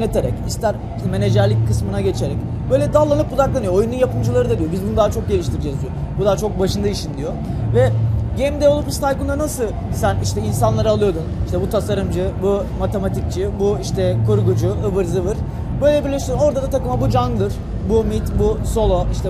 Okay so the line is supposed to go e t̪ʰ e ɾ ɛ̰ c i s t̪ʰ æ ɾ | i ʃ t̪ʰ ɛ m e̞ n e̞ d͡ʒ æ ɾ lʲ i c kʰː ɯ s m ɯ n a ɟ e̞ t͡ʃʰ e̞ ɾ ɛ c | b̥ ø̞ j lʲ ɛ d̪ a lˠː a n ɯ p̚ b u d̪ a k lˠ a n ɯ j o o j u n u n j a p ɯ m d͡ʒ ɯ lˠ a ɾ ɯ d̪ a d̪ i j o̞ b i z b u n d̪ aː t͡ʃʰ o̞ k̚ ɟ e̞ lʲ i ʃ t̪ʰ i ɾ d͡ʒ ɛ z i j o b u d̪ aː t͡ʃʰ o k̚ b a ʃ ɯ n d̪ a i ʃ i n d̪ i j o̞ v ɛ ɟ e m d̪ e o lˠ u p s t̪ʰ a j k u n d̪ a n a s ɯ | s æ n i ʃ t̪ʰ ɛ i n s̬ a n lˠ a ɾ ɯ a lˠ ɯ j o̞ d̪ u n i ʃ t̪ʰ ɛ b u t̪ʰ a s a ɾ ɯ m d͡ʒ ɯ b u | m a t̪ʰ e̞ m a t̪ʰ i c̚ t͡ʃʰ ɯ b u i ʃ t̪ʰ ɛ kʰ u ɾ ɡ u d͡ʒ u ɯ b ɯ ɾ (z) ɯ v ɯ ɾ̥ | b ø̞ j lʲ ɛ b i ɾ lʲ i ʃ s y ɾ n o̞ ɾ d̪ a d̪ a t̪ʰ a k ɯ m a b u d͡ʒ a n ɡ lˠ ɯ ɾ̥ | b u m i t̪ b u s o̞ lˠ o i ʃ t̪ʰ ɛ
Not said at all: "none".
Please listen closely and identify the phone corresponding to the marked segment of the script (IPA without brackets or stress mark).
z